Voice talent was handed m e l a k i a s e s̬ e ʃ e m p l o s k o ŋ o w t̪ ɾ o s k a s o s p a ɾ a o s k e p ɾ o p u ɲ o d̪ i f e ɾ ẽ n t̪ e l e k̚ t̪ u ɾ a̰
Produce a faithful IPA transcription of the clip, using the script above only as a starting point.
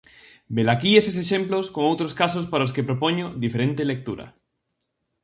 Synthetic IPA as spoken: b e l a k i e s e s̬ e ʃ e m p l o s k o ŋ o w t̪ ɾ o s k a s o s p a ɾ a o s k e p ɾ o p o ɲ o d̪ i f e ɾ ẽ n t̪ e l e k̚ t̪ u ɾ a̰